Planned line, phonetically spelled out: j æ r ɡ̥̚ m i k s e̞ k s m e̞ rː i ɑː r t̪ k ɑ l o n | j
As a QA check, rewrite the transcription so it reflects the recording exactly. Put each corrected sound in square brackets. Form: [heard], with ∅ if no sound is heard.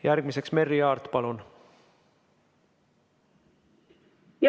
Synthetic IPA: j æ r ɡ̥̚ m i [∅] s e̞ k s m e̞ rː i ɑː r t̪ [p] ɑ l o n | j